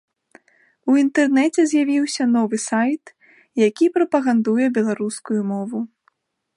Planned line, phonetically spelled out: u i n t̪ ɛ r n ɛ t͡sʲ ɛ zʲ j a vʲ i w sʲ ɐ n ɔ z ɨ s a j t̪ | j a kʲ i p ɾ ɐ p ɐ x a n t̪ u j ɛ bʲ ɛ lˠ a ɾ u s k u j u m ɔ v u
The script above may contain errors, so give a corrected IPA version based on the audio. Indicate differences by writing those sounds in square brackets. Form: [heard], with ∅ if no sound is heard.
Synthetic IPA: u i n t̪ ɛ r n ɛ t͡sʲ ɛ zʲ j a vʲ i w sʲ ɐ n ɔ [v] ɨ s a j t̪ | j a kʲ i p ɾ ɐ p ɐ [ɣ] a n [d̪] u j ɛ bʲ ɛ lˠ a ɾ u s k u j u m ɔ v u